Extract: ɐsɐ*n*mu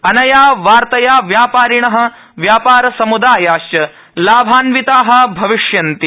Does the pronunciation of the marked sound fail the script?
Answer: yes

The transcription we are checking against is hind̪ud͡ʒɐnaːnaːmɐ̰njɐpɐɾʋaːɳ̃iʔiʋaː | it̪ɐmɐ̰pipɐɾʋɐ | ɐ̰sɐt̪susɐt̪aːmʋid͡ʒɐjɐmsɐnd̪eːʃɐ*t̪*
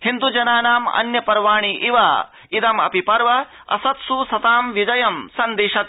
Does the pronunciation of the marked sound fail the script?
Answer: no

